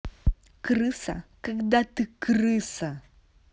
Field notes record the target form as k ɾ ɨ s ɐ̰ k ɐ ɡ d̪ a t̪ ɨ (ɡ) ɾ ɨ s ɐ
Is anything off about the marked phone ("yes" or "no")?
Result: yes